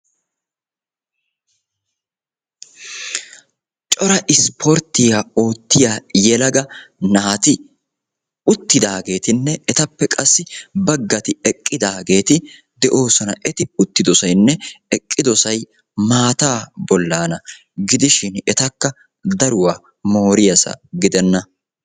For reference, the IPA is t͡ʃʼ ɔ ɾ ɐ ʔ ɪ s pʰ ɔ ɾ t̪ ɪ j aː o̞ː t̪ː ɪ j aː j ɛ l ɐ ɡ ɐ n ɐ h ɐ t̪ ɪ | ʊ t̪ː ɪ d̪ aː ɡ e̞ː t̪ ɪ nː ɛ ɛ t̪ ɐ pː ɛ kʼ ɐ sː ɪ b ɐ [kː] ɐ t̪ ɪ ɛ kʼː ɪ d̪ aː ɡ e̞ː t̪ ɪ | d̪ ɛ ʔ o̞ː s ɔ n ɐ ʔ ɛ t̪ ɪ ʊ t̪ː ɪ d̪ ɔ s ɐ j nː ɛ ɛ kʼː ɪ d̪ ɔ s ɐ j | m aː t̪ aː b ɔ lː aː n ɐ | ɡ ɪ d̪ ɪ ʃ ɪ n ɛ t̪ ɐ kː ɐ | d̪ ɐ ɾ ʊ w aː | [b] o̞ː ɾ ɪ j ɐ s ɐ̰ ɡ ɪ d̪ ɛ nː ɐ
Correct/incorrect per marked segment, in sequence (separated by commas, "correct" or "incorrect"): incorrect, incorrect